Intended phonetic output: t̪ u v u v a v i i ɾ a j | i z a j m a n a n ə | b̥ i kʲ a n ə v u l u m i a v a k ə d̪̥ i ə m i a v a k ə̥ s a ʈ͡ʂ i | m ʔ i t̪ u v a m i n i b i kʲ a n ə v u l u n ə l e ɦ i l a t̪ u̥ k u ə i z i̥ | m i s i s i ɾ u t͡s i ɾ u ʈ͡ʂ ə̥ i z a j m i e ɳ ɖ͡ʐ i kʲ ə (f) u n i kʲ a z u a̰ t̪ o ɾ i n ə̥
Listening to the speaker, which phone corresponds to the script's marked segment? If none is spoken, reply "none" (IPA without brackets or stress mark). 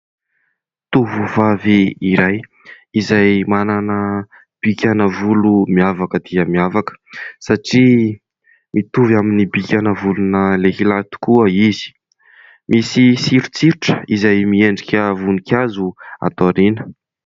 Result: v